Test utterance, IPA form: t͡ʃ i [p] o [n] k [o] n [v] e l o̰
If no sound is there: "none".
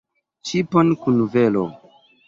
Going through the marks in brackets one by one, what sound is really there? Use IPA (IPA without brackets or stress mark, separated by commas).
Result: p, n, u, v